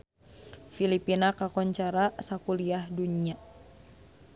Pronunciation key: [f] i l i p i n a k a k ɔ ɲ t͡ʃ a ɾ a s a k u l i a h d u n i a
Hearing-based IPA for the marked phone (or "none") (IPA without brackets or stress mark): f